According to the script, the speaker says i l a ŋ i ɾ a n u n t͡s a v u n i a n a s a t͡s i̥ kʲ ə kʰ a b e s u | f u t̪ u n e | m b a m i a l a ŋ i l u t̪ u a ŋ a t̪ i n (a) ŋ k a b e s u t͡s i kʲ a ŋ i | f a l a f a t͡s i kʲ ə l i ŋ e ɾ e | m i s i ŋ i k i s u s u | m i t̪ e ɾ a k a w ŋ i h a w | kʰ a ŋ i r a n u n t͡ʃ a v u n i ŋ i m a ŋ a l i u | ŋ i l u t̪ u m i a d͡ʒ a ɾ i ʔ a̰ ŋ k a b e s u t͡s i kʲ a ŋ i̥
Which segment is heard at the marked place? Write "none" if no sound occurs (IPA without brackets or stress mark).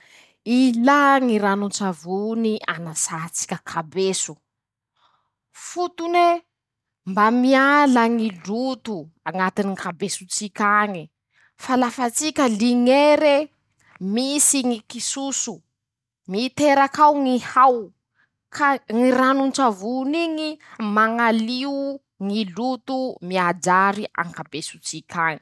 i